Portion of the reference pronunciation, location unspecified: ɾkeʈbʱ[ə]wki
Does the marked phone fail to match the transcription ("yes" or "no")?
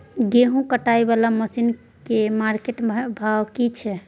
yes